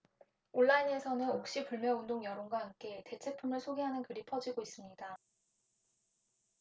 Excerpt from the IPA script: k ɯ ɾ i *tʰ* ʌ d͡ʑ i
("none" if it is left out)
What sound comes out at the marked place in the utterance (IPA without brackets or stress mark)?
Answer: pʰ